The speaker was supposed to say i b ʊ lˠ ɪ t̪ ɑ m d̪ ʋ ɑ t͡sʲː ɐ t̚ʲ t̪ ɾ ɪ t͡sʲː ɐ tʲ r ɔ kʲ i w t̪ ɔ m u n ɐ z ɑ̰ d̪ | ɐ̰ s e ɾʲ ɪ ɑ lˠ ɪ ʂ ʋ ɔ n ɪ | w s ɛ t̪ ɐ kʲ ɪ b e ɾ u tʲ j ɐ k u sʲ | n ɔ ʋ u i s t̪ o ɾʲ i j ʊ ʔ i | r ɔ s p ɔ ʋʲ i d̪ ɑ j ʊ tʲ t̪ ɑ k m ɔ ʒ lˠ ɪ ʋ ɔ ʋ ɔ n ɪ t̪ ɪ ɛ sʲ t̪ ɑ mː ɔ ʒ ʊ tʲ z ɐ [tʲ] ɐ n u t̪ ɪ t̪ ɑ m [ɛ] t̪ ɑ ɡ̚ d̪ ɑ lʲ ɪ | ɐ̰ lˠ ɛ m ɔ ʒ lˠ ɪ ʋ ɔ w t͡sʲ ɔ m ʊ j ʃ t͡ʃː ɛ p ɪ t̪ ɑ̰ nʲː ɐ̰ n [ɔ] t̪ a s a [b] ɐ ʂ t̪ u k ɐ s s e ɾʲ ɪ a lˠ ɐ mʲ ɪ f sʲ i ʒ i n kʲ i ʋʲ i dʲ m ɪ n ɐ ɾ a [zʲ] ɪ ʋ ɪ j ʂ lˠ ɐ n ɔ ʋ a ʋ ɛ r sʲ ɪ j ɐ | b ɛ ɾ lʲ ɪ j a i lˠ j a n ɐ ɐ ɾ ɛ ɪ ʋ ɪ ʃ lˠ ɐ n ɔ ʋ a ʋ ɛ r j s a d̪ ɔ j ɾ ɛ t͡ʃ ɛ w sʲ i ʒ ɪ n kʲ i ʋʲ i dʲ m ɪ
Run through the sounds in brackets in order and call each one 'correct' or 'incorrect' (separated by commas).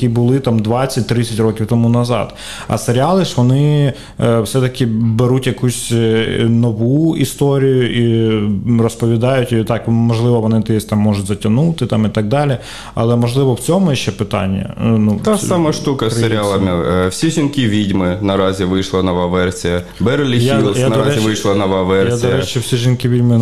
correct, incorrect, incorrect, incorrect, correct